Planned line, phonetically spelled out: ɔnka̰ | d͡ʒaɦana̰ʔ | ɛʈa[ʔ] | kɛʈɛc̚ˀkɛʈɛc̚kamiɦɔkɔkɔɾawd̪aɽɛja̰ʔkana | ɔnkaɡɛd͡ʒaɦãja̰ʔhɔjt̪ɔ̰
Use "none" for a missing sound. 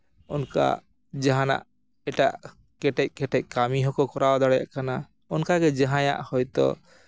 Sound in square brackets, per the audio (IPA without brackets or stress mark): ʔ